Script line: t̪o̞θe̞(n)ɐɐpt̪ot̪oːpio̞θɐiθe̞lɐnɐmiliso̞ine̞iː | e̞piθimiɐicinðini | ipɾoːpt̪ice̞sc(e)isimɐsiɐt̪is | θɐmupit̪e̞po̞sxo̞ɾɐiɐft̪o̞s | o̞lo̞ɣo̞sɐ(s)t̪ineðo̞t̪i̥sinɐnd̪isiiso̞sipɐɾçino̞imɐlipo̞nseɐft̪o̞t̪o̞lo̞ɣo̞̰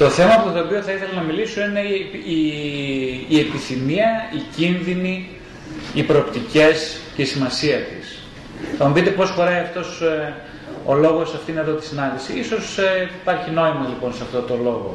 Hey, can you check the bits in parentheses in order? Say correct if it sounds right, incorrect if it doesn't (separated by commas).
incorrect, correct, incorrect